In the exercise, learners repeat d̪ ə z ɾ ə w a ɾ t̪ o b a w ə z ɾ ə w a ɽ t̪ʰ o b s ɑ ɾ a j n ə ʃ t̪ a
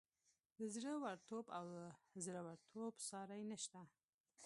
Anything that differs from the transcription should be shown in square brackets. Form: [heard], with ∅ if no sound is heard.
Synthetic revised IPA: d̪ ə z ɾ ə w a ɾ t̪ o b a w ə z ɾ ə w a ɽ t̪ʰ o b s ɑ ɾ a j n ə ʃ t̪ a